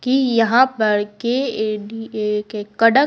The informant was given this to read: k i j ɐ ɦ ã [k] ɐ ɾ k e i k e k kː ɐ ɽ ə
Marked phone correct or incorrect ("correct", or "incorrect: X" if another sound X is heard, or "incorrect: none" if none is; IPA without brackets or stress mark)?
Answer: incorrect: p